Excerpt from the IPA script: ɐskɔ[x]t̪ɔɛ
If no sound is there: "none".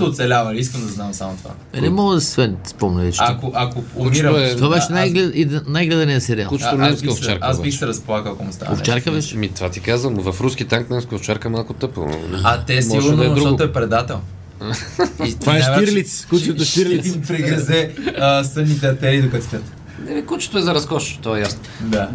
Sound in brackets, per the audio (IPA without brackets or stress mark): ʃ